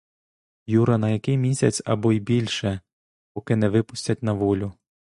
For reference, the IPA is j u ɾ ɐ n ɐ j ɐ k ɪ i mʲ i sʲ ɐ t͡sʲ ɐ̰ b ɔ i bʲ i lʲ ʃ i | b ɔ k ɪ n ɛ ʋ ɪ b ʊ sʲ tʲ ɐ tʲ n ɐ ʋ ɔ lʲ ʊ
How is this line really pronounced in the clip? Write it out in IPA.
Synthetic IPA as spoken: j u ɾ ɐ n ɐ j ɐ k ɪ j mʲ i sʲ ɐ t͡sʲ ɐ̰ b ɔ i bʲ i lʲ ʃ ɛ | p ɔ k ɪ n ɛ ʋ ɪ p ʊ sʲ tʲ ɐ tʲ n ɐ ʋ ɔ lʲ ʊ